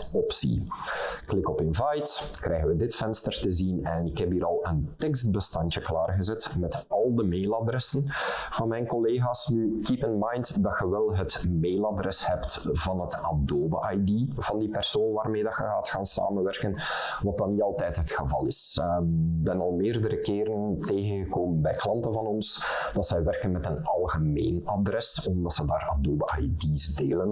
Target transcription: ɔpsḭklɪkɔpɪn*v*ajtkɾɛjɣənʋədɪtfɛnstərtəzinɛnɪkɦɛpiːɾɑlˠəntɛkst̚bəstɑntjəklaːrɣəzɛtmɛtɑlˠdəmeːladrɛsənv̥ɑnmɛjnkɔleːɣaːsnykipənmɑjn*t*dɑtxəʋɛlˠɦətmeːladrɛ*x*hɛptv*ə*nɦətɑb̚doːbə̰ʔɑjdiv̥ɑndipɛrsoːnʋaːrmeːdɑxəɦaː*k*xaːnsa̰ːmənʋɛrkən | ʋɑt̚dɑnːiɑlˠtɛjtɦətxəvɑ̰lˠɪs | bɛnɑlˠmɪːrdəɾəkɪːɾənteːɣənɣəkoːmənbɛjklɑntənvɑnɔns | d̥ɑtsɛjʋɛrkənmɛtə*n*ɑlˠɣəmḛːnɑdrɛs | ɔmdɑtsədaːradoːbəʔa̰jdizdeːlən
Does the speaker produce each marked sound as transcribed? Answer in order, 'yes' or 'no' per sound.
yes, yes, no, no, no, yes

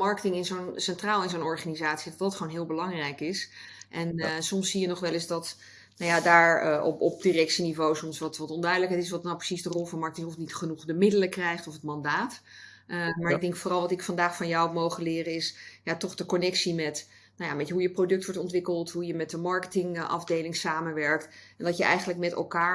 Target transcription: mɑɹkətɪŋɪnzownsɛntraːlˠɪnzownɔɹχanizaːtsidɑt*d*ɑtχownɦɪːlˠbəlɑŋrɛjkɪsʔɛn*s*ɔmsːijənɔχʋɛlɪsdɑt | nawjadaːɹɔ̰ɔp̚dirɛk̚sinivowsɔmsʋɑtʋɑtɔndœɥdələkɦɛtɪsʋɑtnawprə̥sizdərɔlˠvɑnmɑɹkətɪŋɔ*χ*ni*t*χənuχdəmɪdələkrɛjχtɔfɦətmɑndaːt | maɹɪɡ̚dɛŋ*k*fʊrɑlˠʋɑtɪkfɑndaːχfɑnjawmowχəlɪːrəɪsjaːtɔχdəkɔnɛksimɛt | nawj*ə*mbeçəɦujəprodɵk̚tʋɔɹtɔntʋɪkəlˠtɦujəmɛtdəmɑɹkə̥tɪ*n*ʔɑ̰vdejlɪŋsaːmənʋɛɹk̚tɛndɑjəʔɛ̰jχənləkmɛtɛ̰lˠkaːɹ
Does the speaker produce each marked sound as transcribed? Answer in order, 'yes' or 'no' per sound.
yes, yes, no, yes, yes, no, no

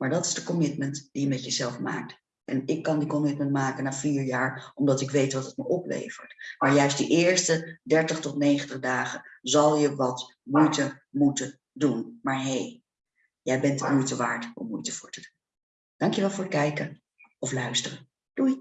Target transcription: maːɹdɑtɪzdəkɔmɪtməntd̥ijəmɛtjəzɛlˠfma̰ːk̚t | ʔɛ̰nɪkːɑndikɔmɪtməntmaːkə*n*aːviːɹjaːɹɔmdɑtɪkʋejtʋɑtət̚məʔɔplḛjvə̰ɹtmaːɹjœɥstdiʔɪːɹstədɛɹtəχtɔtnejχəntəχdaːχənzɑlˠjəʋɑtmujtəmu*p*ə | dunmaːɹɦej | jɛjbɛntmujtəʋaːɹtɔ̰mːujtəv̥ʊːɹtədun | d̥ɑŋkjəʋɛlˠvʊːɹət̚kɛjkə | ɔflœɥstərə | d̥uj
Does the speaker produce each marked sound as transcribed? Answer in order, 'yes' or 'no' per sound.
yes, no

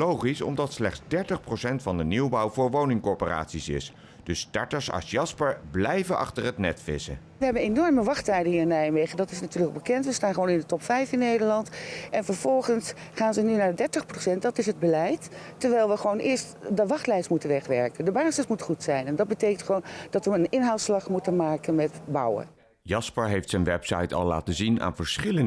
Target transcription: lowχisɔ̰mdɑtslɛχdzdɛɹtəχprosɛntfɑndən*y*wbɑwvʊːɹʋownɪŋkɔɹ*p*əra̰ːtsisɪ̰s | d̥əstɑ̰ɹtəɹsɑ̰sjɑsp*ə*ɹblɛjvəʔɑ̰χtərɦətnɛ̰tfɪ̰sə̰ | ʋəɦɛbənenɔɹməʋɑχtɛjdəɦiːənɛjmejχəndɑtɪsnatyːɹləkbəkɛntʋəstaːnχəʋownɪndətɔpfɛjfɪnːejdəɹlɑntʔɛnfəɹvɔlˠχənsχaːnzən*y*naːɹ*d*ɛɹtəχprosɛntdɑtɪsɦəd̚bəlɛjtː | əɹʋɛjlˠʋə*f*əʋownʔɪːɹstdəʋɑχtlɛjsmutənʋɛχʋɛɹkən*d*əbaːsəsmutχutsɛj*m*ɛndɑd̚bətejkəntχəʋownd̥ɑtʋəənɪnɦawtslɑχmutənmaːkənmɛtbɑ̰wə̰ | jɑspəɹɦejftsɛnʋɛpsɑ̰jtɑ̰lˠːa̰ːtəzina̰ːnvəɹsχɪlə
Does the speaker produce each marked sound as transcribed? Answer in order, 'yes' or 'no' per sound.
no, yes, yes, yes, yes, no, yes, no

